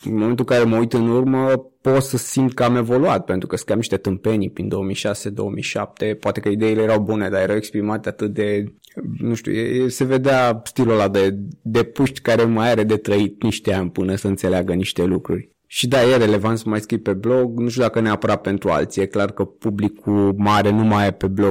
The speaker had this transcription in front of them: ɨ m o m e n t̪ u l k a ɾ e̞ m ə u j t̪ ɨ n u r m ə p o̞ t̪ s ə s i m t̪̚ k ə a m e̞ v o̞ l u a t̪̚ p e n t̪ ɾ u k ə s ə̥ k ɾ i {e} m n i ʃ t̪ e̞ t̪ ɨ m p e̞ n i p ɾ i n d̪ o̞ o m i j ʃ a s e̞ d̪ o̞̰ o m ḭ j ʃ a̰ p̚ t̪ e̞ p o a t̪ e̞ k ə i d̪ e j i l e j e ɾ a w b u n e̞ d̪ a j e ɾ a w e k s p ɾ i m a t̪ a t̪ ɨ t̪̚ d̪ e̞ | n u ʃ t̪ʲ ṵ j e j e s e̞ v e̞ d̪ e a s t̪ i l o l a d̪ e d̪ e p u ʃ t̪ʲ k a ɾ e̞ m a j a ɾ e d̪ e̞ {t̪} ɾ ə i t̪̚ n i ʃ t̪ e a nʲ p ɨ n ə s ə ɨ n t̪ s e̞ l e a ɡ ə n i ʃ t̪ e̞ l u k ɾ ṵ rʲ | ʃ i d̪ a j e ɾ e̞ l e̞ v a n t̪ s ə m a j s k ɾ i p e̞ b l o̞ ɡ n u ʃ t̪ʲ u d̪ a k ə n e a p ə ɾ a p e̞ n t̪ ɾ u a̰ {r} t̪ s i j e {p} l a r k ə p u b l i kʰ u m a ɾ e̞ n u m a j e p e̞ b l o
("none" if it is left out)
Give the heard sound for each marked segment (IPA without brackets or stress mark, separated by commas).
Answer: a, t̪, l, k